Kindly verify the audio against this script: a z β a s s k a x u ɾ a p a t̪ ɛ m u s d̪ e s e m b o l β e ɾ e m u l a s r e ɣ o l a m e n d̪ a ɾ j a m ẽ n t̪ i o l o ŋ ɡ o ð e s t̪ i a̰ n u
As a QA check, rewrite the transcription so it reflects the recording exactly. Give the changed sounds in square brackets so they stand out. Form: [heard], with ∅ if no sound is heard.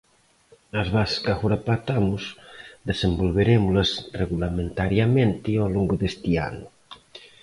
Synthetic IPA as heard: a z β a s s k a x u ɾ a p a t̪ [a] m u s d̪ e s e m b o l β e ɾ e m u l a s r e ɣ [u] l a m e n [t̪] a ɾ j a m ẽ n t̪ i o l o ŋ ɡ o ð e s t̪ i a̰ n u